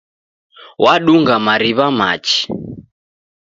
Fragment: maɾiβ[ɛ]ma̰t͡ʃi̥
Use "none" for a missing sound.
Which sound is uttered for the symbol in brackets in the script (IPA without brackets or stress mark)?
a